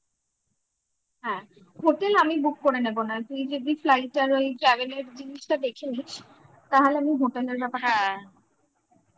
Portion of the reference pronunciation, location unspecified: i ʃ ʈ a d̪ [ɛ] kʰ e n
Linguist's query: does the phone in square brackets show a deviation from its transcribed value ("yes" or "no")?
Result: yes